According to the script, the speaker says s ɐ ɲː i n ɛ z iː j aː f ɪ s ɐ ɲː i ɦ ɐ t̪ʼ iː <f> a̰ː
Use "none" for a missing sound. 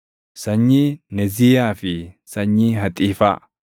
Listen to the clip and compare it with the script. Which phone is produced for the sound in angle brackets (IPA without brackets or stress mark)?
f